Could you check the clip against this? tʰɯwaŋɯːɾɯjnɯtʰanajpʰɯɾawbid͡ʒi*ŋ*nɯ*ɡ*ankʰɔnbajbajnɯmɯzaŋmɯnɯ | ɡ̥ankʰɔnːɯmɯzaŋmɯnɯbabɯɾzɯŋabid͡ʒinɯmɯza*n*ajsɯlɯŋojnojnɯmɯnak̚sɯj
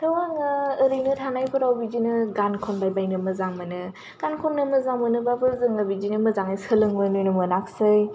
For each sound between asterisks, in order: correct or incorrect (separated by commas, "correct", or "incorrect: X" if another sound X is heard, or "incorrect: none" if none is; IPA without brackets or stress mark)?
incorrect: none, correct, incorrect: ŋ